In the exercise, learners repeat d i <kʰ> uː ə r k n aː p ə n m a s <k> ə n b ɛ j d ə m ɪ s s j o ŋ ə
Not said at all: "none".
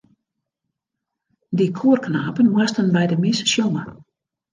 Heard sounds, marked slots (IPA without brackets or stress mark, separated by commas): kʰ, t